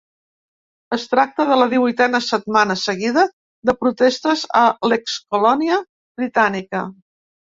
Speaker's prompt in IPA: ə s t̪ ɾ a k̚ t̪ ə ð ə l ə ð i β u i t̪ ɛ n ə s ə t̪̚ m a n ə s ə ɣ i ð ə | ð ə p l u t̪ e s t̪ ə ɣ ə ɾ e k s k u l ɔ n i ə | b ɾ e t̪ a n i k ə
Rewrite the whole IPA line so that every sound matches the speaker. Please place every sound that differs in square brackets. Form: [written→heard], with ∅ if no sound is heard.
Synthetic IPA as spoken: ə s t̪ ɾ a k̚ t̪ ə ð ə l ə ð i β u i t̪ ɛ n ə s ə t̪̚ m a n ə s ə ɣ i ð ə | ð ə p [l→ɾ] u t̪ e s t̪ ə [ɣ→z] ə [ɾ→l] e k s k u l ɔ n i ə | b ɾ [e→i] t̪ a n i k ə